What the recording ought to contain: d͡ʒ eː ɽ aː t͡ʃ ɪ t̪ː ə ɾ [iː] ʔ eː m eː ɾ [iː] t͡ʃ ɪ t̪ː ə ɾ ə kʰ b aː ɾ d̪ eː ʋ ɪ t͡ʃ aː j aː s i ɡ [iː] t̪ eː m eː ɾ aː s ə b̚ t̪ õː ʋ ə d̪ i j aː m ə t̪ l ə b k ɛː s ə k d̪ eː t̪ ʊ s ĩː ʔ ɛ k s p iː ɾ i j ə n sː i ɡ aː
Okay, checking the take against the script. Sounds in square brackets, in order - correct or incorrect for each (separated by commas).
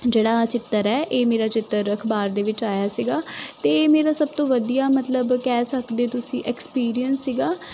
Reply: incorrect, incorrect, incorrect